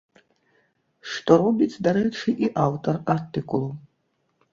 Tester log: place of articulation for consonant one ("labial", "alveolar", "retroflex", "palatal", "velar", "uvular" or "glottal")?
retroflex